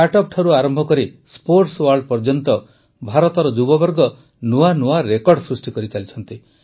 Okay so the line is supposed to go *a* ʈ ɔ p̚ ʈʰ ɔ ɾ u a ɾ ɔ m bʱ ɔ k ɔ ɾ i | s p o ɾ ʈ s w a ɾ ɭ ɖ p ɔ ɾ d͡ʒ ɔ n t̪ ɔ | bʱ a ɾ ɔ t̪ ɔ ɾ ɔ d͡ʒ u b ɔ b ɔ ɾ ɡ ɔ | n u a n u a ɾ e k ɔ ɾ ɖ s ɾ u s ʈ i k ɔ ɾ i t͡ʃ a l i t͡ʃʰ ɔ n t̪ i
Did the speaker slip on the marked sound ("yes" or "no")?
no